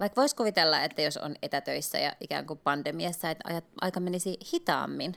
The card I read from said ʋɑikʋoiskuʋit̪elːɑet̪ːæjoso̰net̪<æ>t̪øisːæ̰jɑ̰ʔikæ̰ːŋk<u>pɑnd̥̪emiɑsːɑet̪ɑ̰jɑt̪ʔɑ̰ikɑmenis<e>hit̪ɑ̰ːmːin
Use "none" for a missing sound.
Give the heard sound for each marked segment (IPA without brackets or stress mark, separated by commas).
æ, u, i